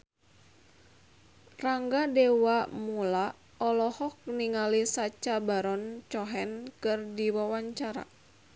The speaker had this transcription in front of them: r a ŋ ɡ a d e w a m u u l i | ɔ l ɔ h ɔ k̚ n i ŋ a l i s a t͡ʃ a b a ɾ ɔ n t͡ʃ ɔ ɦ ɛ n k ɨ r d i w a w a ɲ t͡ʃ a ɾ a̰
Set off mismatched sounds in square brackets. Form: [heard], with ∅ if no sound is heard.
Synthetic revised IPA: r a ŋ ɡ a d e w a m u u l [a] | ɔ l ɔ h ɔ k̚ n i ŋ a l i s a t͡ʃ a b a ɾ ɔ n t͡ʃ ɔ ɦ ɛ n k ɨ r d i w a w a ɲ t͡ʃ a ɾ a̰